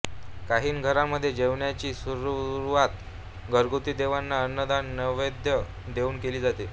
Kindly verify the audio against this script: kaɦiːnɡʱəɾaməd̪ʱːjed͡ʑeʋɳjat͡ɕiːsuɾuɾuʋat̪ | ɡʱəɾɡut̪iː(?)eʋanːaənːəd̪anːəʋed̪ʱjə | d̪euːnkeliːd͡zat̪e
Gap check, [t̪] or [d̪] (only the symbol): d̪